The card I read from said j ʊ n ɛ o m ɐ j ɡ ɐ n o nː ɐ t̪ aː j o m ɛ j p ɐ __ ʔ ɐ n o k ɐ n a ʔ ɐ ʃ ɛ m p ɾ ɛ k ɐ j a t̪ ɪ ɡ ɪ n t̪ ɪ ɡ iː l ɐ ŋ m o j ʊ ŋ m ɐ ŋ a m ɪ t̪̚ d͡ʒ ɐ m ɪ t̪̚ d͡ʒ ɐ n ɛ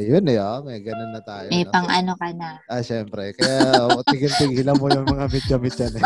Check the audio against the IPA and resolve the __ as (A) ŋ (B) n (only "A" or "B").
A